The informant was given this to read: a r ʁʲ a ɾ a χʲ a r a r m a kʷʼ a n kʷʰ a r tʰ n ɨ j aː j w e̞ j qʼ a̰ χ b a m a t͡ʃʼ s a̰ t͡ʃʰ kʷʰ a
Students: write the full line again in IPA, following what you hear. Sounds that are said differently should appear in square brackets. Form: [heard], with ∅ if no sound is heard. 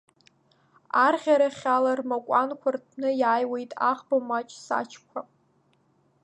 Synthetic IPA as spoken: a r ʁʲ a ɾ a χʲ a [l] a r m a kʷʼ a n kʷʰ a r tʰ n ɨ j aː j w e̞ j [tʼ] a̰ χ b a m a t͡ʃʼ s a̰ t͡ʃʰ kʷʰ a